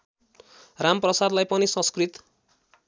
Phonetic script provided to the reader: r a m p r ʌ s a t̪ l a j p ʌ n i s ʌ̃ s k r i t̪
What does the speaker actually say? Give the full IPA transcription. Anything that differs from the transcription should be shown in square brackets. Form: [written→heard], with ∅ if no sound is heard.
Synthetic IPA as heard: r a m p r ʌ s a [t̪→d̪] l a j p ʌ n i s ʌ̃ s k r i t̪